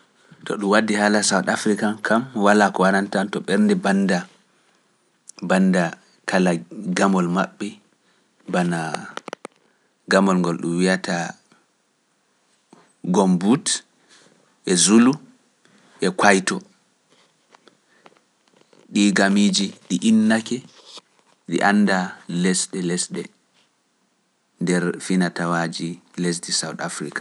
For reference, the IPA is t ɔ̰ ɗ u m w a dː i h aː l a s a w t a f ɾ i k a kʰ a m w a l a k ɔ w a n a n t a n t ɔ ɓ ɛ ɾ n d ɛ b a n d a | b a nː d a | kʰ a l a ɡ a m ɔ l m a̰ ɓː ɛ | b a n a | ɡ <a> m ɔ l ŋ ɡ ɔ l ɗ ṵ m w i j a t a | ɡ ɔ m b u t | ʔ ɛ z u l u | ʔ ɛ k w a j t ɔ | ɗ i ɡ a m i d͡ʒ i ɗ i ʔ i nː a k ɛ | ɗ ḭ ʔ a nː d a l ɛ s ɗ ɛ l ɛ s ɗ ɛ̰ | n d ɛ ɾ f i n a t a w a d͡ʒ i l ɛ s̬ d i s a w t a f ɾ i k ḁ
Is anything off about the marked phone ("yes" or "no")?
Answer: no